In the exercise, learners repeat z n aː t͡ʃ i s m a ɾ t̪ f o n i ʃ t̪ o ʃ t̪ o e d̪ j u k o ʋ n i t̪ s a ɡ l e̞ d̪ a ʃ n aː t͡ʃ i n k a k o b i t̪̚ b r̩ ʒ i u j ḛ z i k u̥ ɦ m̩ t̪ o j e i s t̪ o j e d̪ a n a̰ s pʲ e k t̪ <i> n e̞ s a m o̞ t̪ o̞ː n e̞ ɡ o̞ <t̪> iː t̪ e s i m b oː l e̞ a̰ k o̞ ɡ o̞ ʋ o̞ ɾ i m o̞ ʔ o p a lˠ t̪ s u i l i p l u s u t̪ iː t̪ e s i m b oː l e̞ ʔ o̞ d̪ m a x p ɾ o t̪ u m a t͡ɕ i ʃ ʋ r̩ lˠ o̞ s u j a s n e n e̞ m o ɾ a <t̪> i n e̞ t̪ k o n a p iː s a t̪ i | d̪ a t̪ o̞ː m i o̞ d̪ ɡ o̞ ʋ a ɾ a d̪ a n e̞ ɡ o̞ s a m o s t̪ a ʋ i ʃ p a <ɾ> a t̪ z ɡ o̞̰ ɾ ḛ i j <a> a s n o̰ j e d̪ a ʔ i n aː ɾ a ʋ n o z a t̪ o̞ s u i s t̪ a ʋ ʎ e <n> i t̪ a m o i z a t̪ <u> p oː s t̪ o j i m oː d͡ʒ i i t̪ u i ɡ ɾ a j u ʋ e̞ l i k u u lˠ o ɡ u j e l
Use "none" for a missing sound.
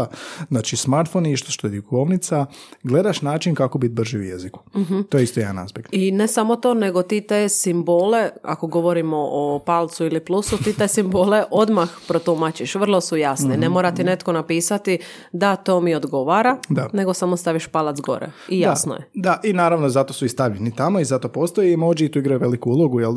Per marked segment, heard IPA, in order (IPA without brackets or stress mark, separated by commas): i, t̪, t̪, l, a, n, o